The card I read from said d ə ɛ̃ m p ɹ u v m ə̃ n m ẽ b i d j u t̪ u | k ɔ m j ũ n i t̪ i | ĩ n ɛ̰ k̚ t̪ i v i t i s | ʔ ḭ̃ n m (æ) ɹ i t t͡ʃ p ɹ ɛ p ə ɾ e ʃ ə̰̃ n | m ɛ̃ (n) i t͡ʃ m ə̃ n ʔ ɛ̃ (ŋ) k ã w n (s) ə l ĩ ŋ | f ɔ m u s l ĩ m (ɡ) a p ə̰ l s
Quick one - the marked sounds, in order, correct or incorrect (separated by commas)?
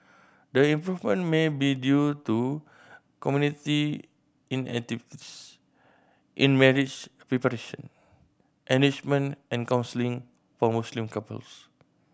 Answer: incorrect, correct, incorrect, correct, incorrect